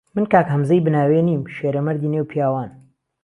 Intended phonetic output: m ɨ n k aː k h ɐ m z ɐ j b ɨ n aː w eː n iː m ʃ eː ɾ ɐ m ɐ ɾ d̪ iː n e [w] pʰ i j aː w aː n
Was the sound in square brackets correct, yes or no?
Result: yes